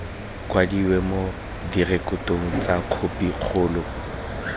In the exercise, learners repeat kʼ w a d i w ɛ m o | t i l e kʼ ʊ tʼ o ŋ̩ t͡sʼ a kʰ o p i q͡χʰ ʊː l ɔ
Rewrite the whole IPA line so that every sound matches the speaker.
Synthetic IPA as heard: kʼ w a d i w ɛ m o | d i r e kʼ ʊ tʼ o ŋ̩ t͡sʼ a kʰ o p i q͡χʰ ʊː l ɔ